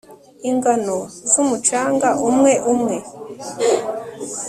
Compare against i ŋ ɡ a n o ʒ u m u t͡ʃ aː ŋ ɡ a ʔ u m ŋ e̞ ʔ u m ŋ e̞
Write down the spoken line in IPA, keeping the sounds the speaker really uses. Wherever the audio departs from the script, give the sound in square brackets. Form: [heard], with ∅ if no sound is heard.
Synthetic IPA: i ŋ ɡ a n o [z] u m u t͡ʃ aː ŋ ɡ a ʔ u m ŋ e̞ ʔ u m ŋ e̞